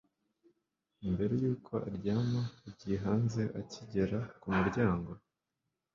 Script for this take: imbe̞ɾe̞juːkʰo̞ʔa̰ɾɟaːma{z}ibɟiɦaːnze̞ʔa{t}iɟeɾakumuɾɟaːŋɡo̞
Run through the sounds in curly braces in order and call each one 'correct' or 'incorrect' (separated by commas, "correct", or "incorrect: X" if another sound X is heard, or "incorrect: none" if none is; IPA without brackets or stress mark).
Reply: incorrect: none, incorrect: c